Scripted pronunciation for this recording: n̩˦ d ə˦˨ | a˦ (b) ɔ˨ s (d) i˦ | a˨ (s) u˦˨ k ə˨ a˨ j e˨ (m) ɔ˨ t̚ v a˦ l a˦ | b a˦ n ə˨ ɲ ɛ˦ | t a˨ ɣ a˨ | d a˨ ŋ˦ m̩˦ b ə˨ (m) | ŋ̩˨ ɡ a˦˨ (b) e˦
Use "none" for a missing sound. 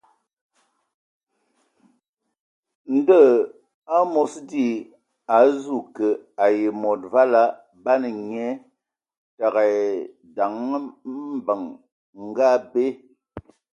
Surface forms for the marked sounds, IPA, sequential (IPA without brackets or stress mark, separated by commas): m, d, z, m, ŋ, b